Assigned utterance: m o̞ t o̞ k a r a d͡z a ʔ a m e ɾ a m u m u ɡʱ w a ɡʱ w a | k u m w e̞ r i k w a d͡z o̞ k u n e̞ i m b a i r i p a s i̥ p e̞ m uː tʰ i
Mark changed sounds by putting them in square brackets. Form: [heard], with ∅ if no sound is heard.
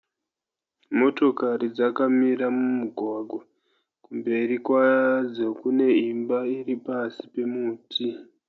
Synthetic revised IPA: m o̞ t o̞ k a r [i] d͡z a [k] a m [i] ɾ a m u m u ɡʱ w a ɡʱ w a | k u m [b] e̞ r i k w a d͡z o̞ k u n e̞ i m b a i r i p a s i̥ p e̞ m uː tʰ i